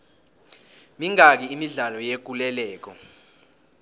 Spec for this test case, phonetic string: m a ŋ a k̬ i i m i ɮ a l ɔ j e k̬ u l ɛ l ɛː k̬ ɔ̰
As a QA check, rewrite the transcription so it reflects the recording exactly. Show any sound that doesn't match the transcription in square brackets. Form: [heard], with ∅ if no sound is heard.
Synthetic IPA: m [i] ŋ a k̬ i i m i ɮ a l ɔ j e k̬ u l ɛ l ɛː k̬ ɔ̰